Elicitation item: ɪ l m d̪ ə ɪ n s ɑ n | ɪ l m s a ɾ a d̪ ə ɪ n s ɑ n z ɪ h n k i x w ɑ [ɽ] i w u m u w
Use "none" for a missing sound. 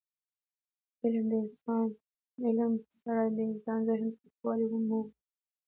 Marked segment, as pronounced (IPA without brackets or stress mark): l